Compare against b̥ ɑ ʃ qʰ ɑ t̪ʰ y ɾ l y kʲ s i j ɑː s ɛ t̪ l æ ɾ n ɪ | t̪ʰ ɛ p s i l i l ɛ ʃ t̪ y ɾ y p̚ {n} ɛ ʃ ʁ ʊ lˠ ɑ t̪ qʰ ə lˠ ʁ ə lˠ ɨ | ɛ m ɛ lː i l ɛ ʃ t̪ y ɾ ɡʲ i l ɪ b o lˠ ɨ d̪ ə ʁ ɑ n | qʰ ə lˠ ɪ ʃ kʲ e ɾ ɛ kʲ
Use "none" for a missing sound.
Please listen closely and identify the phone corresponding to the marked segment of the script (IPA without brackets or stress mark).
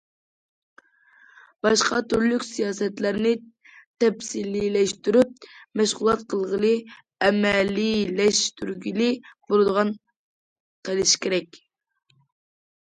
m